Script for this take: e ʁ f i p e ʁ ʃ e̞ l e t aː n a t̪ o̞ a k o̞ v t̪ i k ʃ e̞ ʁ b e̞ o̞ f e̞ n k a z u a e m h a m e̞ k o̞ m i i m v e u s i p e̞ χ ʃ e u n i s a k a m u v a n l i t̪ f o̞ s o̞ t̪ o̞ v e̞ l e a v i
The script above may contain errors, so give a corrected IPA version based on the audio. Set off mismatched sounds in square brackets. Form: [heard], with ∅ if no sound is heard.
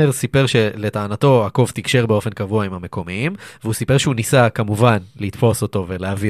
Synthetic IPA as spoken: e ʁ [s] i p e ʁ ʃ e̞ l e t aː n a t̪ o̞ a k o̞ v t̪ i k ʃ e̞ ʁ b e̞ o̞ f e̞ n k a [v] u a [i] m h a m e̞ k o̞ m i i m v e u s i p e̞ [ʁ] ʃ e u n i s a k a m u v a n l i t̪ f o̞ s o̞ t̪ o̞ v e̞ l e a v i